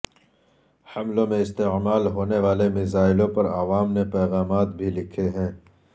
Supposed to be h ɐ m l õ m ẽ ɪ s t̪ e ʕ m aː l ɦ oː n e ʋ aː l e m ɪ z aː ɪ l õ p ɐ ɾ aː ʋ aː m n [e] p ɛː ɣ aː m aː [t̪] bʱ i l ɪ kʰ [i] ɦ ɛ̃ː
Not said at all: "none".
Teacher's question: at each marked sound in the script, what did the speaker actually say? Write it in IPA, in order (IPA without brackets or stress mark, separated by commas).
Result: e, t̪, e